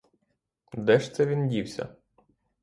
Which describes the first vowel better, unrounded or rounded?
unrounded